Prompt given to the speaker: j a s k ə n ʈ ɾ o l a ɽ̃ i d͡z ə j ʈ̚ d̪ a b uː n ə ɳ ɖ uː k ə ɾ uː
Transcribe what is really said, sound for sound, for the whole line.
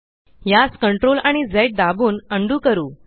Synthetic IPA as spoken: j a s k ə ɳ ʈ ɾ o l a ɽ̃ i d͡z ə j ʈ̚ d̪ a b uː n ə ɳ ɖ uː k ə ɾ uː